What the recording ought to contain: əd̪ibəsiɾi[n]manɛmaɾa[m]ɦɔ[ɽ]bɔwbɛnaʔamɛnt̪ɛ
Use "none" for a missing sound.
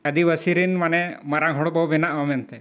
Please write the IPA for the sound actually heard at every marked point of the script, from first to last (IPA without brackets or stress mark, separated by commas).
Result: n, ŋ, ɽ